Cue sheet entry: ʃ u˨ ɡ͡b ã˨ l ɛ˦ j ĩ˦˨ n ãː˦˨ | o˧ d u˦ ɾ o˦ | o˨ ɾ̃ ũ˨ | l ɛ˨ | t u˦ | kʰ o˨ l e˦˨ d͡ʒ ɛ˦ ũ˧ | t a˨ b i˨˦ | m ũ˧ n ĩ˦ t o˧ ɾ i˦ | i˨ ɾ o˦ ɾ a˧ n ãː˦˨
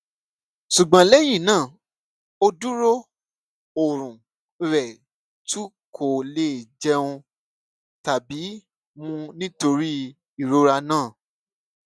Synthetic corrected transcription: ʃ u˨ ɡ͡b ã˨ l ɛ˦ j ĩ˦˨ n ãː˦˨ | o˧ d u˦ ɾ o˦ | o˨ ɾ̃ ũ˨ | ɾ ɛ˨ | t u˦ | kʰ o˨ l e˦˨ d͡ʒ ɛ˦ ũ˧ | t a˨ b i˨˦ | m ũ˧ n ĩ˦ t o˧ ɾ i˦ | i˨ ɾ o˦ ɾ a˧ n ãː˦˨